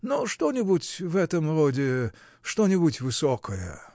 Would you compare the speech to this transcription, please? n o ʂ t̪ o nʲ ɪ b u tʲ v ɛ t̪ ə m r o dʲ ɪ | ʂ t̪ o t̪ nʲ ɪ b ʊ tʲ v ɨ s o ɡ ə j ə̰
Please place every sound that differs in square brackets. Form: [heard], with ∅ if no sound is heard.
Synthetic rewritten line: n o ʂ t̪ o nʲ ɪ b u tʲ v ɛ t̪ ə m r o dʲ ɪ | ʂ t̪ o [∅] nʲ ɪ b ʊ tʲ v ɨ s o [k] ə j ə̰